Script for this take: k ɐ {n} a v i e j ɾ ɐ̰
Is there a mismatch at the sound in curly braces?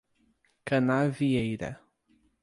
no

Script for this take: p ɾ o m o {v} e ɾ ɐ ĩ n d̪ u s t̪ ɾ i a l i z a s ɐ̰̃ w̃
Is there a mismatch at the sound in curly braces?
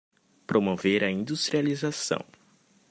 no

